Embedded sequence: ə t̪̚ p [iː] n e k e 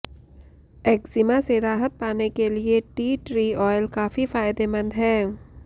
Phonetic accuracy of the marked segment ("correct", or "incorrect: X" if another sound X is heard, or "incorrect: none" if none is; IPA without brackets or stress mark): incorrect: aː